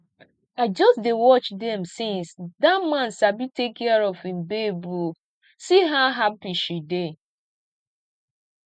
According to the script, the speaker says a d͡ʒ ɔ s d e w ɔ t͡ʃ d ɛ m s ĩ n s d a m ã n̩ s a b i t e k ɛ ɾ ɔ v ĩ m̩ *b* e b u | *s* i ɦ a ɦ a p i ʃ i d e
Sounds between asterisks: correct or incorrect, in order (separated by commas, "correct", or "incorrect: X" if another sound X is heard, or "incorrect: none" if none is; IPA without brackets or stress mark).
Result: correct, correct